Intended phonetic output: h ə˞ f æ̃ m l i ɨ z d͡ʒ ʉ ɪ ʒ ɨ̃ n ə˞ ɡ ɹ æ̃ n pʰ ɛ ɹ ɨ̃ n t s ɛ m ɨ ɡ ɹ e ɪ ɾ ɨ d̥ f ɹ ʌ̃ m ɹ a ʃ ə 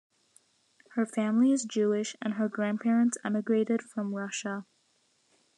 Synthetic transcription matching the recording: h ə˞ f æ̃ m l i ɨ z d͡ʒ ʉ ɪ ʃ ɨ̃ n ə˞ ɡ ɹ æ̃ n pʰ ɛ ɹ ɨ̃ n t s ɛ m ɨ ɡ ɹ e ɪ ɾ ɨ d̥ f ɹ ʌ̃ m ɹ ʌ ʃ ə